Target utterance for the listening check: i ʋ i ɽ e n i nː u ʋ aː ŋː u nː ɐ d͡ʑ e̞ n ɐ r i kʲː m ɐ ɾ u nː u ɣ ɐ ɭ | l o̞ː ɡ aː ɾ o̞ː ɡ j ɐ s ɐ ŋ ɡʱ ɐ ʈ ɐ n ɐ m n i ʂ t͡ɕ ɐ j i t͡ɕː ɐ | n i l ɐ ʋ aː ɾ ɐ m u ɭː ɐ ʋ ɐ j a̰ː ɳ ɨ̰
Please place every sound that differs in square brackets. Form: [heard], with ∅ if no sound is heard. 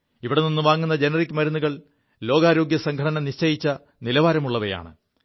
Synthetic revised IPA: i ʋ i ɽ e n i nː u ʋ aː ŋː u nː ɐ d͡ʑ e̞ n ɐ r i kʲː m ɐ ɾ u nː u ɣ ɐ ɭ | l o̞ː ɡ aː ɾ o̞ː ɡ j ɐ s ɐ ŋ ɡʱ ɐ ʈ ɐ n ɐ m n i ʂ t͡ɕ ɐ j i t͡ɕː ɐ | n i l ɐ ʋ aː ɾ ɐ m u ɭː ɐ ʋ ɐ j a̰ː ɳ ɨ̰